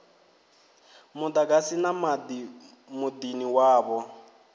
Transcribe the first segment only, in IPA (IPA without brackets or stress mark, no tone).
m